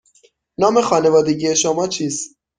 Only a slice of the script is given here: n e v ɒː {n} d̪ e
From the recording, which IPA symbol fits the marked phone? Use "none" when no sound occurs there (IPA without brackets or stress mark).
none